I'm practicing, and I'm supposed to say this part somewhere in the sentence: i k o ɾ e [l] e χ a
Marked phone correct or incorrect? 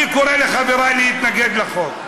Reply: correct